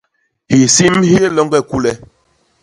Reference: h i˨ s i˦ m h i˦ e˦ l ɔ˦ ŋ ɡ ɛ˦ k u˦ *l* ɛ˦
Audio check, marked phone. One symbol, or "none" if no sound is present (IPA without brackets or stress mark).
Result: l